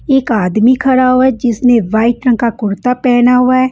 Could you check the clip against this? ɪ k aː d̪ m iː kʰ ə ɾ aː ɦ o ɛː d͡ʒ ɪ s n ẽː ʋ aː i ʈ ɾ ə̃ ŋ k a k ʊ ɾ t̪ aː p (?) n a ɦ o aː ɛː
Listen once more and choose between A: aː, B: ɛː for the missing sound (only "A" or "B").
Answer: B